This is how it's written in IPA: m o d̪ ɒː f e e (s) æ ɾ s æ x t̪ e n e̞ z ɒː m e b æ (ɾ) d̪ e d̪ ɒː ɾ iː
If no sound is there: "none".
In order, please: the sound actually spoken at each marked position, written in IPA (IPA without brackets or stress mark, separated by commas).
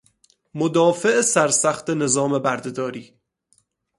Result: s, ɾ